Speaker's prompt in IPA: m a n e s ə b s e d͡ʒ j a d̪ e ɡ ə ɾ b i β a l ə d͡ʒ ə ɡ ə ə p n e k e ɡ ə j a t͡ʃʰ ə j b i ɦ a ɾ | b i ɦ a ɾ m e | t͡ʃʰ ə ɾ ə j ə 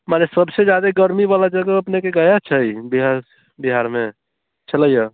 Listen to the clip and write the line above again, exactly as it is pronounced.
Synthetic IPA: m a n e s ə b s e d͡ʒ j a d̪ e ɡ ə ɾ m i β a l a d͡ʒ ə ɡ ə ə p n e k e ɡ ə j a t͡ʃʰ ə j b i ɦ a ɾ | b i ɦ a ɾ m e | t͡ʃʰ ə l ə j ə